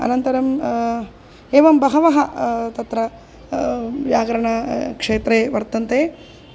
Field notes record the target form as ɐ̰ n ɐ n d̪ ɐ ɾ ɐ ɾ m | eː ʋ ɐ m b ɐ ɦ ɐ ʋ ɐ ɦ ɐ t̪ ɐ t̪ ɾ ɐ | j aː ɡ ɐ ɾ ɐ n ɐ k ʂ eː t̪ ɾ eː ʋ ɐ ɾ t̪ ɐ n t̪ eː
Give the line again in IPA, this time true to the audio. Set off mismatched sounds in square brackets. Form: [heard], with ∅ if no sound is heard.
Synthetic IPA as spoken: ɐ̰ n ɐ n [t̪] ɐ ɾ ɐ [∅] m | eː ʋ ɐ m b ɐ ɦ ɐ ʋ ɐ ɦ ɐ t̪ ɐ t̪ ɾ ɐ | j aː ɡ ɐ ɾ ɐ [ɳ] ɐ k ʂ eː t̪ ɾ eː ʋ ɐ ɾ t̪ ɐ n t̪ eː